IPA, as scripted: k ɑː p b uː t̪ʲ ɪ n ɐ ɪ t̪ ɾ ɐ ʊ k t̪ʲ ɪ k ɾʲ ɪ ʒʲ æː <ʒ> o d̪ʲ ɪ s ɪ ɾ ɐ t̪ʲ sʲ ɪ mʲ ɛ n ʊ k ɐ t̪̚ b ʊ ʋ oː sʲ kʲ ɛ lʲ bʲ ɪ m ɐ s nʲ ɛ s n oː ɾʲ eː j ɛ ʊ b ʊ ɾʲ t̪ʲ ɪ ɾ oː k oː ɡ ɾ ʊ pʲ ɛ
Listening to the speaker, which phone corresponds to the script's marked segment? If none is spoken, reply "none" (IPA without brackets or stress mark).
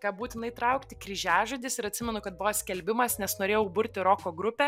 ʒ